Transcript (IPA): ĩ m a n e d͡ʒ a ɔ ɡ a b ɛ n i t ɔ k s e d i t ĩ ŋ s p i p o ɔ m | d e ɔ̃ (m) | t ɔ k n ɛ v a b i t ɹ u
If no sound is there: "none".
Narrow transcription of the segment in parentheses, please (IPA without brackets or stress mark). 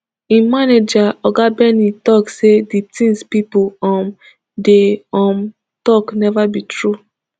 m